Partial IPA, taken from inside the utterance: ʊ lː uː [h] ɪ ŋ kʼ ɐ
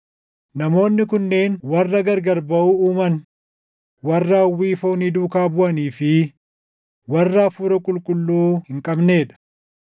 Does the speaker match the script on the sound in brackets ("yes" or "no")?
yes